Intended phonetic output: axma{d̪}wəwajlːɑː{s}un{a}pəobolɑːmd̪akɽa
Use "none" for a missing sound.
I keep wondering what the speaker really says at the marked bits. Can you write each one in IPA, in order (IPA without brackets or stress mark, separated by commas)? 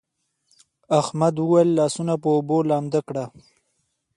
d̪, s, a